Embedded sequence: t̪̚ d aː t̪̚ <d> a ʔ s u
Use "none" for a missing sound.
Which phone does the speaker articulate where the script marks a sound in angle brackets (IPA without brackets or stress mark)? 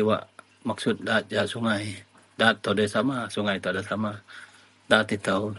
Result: d͡ʒ